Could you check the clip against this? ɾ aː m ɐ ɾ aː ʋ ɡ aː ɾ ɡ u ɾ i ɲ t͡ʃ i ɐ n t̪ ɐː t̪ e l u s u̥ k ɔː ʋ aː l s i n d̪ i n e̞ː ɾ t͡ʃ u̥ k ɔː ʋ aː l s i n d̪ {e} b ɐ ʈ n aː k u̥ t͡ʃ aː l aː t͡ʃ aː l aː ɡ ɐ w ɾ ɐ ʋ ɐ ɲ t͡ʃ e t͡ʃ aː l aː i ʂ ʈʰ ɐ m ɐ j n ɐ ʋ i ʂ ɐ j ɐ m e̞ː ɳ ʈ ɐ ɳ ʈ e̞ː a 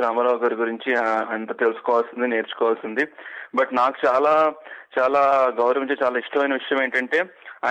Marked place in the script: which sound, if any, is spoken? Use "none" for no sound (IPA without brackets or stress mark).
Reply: i